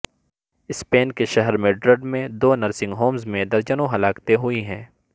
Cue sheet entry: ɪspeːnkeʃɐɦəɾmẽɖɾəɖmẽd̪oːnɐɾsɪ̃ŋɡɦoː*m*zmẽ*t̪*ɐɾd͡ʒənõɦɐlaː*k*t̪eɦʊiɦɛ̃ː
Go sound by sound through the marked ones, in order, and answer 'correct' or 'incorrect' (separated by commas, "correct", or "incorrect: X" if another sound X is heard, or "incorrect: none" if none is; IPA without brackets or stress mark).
correct, incorrect: d̪, correct